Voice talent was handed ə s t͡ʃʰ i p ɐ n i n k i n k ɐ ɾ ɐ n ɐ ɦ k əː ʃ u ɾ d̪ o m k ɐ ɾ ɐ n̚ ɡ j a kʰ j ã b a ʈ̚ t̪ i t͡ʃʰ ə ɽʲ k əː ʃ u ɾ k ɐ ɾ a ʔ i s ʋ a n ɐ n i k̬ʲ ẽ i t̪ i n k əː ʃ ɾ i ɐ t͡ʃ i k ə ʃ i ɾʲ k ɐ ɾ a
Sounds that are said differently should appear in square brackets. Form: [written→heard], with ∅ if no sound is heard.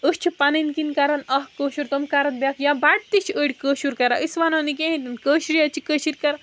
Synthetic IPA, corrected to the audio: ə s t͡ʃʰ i p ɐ n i n k i n k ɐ ɾ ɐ n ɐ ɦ k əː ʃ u ɾ [d̪→t̪] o m k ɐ ɾ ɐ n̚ [ɡ→b] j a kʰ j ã b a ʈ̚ t̪ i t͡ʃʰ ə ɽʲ k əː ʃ u ɾ k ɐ ɾ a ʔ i s ʋ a n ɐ n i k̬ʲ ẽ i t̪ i n k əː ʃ ɾ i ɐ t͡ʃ i k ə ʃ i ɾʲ k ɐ ɾ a